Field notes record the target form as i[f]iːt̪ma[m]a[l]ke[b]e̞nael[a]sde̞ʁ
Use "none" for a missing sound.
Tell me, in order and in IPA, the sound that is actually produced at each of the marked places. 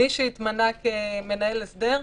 ʃ, n, none, m, e

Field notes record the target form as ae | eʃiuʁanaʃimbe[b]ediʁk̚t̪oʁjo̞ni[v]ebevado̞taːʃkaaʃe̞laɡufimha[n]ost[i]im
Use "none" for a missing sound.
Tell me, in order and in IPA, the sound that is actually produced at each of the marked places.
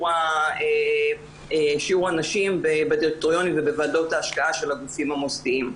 b, v, m, i

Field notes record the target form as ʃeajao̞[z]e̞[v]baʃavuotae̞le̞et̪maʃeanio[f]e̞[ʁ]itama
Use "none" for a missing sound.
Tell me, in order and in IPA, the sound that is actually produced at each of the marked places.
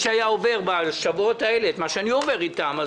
v, ʁ, v, ʁ

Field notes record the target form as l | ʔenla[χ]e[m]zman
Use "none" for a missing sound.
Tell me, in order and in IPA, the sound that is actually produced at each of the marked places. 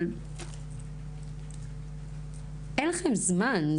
χ, m

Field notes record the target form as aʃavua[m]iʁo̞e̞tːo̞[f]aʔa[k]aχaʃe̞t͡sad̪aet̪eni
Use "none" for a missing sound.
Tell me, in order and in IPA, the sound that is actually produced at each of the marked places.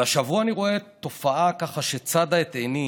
n, f, k

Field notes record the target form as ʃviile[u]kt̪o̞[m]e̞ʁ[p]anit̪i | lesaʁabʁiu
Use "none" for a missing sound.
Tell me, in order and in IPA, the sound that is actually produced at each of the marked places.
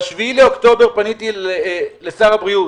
o, b, p

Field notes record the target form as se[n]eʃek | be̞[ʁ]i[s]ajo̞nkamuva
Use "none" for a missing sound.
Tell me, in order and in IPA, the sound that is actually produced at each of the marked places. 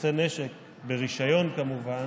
n, ʁ, ʃ

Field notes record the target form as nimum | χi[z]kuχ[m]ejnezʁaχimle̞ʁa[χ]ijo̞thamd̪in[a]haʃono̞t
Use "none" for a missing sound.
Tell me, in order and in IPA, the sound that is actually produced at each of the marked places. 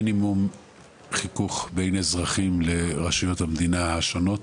none, b, ʃ, a

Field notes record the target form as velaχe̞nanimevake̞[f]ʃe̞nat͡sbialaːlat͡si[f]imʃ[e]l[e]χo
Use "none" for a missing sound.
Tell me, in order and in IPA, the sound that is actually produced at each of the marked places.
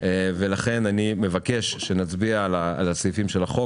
ʃ, f, e, a

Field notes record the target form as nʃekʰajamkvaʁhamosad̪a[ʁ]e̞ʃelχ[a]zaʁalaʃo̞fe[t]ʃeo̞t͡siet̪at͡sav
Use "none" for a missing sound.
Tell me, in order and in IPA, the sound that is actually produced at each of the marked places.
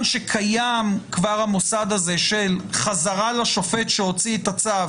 z, a, t

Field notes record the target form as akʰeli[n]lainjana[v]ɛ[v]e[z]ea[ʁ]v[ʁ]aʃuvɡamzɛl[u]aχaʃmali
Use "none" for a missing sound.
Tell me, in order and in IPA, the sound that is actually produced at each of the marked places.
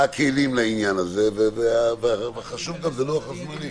m, z, v, v, v, χ, o

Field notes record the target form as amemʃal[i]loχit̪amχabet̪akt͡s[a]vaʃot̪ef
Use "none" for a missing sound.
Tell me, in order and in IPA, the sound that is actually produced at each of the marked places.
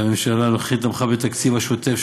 a, i

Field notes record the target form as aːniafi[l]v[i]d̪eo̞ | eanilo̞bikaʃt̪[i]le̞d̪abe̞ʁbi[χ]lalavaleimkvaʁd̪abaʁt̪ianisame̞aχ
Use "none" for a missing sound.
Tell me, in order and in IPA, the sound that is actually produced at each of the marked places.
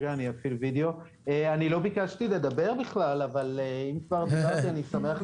l, i, i, χ

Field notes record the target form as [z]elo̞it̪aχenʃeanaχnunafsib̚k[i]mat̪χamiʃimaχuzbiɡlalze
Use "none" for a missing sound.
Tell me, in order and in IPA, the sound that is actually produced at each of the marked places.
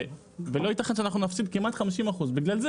v, i

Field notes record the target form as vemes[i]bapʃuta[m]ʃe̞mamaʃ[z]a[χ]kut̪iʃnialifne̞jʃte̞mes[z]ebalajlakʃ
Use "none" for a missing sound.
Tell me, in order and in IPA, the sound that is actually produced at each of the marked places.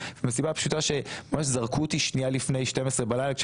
i, none, z, ʁ, ʁ

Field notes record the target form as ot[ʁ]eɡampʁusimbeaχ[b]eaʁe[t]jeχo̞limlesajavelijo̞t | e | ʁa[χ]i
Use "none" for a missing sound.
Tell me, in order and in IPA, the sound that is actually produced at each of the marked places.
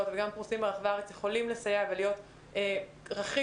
v, v, t͡s, χ

